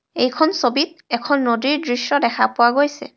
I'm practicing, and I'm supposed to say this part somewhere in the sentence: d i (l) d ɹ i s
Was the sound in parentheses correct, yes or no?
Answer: no